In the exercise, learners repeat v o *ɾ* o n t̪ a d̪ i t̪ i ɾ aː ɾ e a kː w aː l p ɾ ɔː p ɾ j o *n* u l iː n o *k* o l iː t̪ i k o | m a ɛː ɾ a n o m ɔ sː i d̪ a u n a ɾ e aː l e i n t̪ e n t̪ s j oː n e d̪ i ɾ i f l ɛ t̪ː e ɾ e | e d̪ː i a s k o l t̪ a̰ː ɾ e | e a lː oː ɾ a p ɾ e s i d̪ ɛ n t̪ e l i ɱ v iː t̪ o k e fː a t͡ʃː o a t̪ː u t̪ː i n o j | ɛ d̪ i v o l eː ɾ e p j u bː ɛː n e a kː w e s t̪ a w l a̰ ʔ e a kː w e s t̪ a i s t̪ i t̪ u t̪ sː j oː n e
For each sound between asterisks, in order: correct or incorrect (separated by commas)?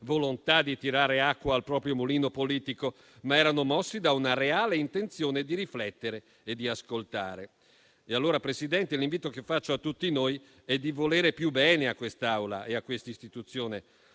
incorrect, incorrect, incorrect